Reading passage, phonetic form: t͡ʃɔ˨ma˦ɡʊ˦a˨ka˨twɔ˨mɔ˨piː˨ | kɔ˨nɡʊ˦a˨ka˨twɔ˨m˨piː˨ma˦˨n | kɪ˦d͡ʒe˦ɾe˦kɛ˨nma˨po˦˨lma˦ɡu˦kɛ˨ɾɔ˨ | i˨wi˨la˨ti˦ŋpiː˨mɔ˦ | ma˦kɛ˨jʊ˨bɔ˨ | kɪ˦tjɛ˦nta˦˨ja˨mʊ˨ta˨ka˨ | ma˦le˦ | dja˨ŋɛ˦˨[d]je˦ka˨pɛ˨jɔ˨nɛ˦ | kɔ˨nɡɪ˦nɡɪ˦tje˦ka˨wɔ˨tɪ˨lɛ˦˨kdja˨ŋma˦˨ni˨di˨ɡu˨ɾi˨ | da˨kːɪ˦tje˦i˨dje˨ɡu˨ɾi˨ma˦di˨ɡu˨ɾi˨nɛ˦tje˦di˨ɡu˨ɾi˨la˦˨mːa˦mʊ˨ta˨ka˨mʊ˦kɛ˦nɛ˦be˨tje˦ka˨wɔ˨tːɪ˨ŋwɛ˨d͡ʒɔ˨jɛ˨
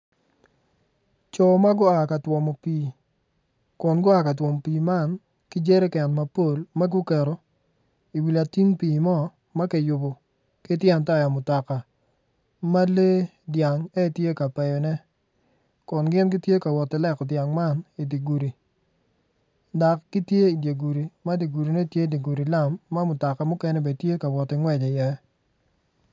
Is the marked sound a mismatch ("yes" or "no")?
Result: yes